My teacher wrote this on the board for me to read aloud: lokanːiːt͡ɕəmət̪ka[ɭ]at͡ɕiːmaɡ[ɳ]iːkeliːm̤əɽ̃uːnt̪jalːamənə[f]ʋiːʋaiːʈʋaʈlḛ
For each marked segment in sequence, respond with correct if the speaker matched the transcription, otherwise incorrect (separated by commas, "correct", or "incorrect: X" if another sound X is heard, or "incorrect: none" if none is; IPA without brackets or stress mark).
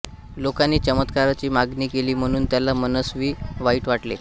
incorrect: ɾ, incorrect: n, incorrect: s